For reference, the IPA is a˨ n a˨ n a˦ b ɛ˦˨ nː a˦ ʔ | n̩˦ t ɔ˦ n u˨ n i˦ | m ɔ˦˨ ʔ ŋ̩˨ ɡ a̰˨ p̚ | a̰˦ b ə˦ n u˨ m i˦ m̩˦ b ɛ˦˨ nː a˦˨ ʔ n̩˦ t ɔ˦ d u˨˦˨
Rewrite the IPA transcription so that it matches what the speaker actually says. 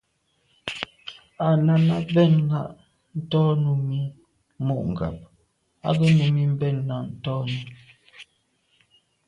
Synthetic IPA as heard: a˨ n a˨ n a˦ b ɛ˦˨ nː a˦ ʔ | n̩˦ t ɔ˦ n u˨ m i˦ | m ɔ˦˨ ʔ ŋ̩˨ ɡ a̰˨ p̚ | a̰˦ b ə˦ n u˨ m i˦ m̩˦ b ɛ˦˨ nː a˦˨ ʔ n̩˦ t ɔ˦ n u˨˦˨

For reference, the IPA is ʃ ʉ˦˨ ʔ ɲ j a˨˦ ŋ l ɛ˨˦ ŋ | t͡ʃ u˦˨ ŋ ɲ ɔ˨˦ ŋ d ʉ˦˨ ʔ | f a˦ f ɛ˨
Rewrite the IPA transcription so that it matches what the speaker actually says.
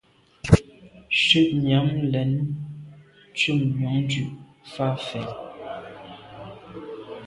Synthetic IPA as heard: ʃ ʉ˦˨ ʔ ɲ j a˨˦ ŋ l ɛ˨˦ n | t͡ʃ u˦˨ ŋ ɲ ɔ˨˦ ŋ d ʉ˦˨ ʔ | f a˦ f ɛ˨

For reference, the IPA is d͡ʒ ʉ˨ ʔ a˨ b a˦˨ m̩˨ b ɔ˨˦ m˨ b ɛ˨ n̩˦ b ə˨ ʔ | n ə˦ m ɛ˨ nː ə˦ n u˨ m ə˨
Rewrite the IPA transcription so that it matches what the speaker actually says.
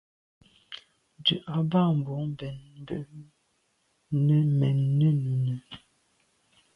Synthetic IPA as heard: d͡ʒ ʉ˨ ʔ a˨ b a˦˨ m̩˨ b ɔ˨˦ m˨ b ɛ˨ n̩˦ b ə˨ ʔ | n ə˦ m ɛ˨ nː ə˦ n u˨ n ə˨

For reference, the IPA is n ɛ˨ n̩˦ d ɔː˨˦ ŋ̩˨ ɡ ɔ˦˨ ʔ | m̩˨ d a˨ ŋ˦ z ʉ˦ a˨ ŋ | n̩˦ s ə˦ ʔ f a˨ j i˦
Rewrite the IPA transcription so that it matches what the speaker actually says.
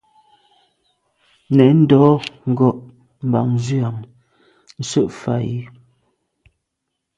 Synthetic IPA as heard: n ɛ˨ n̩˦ d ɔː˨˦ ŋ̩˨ ɡ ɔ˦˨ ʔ | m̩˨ b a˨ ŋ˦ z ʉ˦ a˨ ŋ | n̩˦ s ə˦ ʔ f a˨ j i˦

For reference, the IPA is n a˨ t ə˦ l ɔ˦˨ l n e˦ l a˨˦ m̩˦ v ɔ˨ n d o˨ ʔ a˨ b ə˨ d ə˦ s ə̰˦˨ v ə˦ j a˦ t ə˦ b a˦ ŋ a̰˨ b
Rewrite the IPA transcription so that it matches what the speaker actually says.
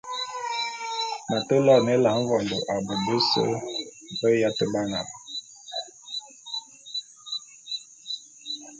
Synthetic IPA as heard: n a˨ t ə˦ l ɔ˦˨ n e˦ l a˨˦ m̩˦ v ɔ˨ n d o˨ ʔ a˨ b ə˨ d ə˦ s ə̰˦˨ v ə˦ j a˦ t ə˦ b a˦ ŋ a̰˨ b

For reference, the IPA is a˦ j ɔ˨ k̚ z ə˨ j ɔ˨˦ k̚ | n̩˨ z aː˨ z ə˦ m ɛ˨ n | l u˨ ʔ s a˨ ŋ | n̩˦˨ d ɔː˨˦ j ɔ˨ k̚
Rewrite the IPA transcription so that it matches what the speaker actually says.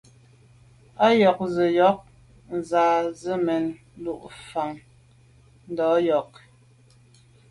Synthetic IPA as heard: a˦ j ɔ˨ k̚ z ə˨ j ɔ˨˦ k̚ | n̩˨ z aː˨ z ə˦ m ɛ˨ n | l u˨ ʔ f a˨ ŋ | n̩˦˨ d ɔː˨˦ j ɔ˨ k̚

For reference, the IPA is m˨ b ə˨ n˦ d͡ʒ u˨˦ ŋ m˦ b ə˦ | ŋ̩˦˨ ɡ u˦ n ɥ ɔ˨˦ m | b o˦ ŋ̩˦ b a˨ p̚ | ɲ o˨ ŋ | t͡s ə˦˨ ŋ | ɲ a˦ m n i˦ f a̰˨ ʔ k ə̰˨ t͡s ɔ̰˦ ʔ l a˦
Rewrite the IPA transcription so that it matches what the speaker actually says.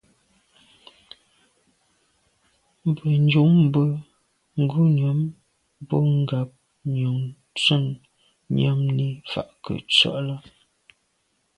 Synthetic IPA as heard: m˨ b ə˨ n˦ d͡ʒ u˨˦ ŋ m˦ b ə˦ | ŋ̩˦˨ ɡ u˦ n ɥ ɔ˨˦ m | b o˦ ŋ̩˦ ɡ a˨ p̚ | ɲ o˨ ŋ | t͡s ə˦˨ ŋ | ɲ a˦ m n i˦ f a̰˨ ʔ k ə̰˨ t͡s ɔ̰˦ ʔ l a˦

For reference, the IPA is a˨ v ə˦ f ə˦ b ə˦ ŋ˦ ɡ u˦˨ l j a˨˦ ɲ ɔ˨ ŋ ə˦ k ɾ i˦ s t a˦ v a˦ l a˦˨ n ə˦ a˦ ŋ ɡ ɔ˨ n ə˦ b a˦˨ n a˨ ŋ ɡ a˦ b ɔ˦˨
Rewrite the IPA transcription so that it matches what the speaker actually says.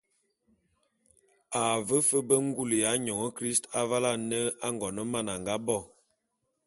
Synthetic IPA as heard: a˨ v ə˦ f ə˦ b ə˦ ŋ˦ ɡ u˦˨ l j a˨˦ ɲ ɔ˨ ŋ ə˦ k ɾ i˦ s t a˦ v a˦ l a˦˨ n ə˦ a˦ ŋ ɡ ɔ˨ n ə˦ m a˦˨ n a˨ ŋ ɡ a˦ b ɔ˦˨

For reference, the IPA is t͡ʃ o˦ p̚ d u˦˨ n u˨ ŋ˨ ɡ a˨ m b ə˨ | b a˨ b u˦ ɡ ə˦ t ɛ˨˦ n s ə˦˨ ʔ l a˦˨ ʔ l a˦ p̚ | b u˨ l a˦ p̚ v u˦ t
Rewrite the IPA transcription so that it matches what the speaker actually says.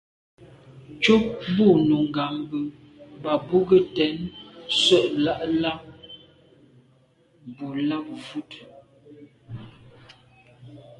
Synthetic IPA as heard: t͡ʃ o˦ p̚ b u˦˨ n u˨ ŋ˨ ɡ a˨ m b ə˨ | b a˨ b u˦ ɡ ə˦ t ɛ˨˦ n s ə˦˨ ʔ l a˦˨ ʔ l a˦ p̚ | b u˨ l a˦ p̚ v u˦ t

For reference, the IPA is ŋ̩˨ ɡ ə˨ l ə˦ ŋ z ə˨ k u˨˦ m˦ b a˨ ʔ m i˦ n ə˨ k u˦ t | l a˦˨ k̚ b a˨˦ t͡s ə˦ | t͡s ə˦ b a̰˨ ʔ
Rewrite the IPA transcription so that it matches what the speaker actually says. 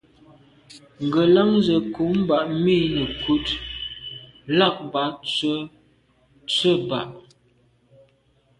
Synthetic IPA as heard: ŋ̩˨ ɡ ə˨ l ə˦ ŋ z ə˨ k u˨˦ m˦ b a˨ ʔ m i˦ n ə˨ k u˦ t | l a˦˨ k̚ b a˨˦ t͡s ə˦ | t͡s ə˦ b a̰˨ ʔ

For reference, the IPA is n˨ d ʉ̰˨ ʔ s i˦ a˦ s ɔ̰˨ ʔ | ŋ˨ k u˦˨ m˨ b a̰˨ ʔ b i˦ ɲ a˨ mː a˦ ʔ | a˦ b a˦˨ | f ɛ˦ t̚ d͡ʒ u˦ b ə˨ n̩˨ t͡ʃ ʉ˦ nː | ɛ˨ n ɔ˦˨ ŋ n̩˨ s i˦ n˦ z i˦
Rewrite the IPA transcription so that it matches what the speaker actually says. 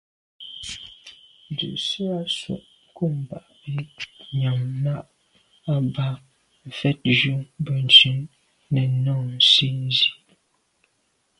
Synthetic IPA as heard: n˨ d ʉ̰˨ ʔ s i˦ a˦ s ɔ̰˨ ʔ | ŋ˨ k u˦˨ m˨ b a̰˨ ʔ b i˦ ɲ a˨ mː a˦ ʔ | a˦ b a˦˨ | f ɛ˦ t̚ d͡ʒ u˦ b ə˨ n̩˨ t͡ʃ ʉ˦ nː | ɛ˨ n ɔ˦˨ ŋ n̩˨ s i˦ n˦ z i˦

